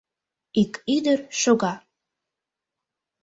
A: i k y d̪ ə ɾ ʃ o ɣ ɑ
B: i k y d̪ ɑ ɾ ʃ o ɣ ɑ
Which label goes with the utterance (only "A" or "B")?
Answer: A